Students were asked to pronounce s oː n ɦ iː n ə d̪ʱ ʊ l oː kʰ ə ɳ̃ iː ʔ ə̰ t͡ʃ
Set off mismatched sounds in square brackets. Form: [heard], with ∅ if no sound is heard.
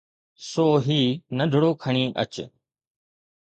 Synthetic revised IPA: s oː [∅] ɦ iː n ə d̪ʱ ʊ [ɽ] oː kʰ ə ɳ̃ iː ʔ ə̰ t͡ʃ